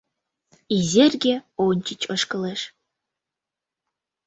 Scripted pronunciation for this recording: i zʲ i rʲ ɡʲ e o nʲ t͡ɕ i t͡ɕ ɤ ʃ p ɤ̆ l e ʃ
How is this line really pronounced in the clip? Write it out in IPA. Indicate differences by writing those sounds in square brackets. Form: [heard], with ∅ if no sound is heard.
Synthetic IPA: i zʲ [e] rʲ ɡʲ e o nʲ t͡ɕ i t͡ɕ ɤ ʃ [k] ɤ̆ l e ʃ